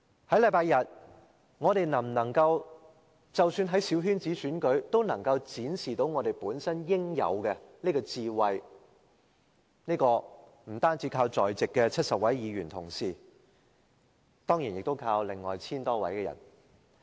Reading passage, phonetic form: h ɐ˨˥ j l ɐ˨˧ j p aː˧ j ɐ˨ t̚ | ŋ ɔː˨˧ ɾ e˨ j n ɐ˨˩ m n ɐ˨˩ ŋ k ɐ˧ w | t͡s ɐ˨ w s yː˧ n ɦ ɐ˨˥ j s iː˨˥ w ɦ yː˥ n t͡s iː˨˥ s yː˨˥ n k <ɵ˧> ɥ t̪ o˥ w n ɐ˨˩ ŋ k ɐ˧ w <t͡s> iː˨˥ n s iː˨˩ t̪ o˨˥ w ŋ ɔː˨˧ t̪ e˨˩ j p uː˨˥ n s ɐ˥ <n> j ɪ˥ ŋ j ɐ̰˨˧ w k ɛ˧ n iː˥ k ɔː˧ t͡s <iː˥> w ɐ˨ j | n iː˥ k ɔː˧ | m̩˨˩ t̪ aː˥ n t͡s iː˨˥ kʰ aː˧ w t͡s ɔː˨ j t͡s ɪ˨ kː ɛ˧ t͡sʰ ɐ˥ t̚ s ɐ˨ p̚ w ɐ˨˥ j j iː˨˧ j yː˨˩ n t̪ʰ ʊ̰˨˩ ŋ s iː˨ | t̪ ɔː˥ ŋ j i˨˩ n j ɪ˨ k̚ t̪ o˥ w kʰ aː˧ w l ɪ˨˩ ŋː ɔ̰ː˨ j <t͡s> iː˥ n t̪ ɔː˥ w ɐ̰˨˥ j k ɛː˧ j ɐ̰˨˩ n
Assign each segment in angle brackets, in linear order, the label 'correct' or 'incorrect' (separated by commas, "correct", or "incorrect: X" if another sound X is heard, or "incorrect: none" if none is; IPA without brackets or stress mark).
incorrect: ɵ˨˥, correct, correct, incorrect: iː˧, incorrect: t͡sʰ